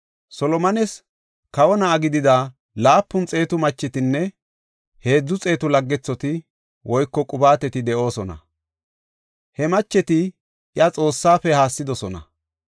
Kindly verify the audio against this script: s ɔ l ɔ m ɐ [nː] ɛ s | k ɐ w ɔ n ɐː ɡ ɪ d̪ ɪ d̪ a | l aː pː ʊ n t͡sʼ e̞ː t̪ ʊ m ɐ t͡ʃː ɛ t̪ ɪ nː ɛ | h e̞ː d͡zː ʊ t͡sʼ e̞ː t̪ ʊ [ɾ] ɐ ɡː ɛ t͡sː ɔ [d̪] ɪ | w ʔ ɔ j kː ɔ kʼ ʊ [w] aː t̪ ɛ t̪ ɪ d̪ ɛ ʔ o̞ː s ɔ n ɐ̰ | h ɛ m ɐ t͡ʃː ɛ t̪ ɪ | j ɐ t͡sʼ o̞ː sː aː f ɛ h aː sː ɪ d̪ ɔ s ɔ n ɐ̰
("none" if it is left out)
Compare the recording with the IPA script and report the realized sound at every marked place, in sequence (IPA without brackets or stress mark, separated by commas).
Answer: n, l, t̪, b